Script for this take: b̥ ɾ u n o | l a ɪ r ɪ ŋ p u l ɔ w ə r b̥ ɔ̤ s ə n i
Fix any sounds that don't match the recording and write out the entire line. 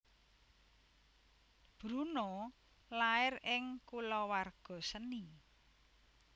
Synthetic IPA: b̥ ɾ u n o | l a ɪ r ɪ ŋ k u l ɔ w a r ɡ̥ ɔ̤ s ə n i